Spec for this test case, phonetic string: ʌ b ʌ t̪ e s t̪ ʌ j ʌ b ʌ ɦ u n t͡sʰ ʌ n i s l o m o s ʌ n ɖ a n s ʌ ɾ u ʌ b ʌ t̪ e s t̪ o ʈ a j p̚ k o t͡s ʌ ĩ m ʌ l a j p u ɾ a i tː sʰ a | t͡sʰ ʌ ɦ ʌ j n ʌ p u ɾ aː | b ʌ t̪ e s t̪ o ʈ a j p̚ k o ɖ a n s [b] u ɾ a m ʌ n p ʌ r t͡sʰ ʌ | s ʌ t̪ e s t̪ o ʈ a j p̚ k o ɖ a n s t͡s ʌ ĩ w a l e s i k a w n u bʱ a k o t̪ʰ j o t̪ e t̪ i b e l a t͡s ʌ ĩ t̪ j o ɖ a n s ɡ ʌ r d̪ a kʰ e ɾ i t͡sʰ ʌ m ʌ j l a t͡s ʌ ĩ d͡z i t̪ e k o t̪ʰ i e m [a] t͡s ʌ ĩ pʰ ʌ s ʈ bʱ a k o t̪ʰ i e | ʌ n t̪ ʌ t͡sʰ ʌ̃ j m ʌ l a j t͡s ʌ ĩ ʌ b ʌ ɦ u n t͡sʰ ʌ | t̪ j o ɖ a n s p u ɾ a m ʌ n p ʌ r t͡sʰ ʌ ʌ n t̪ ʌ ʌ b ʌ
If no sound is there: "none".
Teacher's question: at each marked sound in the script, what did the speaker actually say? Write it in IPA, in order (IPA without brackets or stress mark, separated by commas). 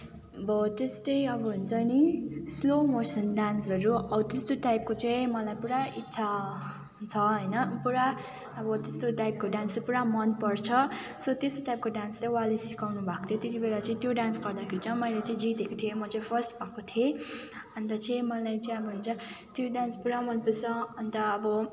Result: p, ʌ